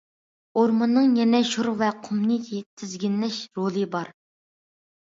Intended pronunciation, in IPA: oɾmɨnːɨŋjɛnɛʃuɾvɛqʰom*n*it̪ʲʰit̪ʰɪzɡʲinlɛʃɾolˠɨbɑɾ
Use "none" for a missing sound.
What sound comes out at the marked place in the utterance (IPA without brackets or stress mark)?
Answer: n